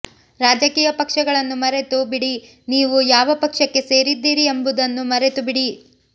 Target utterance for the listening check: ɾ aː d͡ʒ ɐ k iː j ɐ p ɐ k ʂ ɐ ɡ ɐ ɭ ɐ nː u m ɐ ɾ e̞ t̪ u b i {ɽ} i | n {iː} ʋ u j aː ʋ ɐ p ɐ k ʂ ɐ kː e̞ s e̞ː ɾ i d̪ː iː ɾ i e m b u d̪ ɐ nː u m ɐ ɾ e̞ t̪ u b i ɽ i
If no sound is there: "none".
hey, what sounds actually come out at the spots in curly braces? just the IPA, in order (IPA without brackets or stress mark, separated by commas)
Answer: ɽ, iː